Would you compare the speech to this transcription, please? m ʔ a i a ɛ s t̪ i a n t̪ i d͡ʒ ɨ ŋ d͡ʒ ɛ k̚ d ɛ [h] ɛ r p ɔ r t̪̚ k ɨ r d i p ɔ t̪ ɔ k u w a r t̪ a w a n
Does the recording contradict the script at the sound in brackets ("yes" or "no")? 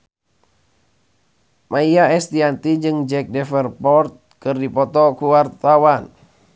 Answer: yes